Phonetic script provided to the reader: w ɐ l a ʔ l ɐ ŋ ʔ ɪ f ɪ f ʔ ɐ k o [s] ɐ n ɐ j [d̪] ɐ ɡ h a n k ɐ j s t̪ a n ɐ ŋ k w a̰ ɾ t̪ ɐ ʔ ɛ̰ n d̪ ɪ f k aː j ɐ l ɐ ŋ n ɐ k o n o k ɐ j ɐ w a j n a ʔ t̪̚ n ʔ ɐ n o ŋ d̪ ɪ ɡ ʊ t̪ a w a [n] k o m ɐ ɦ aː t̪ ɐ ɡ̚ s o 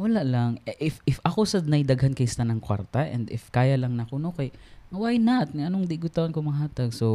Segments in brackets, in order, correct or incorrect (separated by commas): correct, correct, correct